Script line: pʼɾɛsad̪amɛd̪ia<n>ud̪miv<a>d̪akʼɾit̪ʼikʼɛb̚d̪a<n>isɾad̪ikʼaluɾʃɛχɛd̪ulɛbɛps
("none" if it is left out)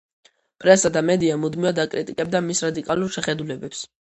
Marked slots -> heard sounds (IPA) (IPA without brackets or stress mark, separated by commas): m, a, m